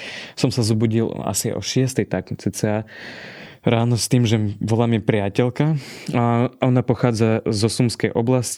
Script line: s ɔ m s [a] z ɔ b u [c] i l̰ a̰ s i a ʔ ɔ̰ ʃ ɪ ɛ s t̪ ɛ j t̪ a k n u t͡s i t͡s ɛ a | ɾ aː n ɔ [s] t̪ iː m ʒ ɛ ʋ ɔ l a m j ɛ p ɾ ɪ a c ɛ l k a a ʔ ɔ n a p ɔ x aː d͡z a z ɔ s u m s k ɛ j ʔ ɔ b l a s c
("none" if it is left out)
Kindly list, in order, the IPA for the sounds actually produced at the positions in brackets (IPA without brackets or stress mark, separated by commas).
a, ɟ, s